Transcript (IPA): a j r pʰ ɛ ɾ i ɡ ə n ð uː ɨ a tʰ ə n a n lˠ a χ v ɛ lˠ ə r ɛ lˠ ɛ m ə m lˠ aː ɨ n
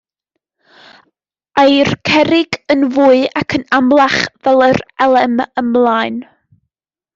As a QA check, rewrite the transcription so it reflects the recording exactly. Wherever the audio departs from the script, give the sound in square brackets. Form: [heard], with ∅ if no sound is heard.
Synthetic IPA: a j r [kʰ] ɛ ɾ [ɪ] ɡ ə n [v] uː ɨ a [kʰ] ə n a [m] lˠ a χ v ɛ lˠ ə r ɛ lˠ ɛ m ə m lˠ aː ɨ n